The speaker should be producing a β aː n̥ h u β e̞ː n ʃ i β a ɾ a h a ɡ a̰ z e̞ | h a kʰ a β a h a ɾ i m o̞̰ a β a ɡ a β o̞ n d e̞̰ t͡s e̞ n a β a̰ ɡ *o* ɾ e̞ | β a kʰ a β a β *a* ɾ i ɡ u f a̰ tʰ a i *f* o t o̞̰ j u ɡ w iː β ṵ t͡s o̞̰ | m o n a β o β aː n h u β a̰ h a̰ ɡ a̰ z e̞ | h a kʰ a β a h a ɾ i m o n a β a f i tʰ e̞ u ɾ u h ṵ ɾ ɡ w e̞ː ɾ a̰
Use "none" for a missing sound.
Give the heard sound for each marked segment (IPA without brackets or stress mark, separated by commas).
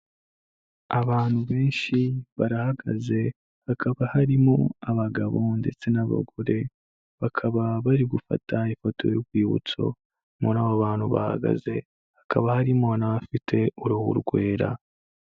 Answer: o, a, f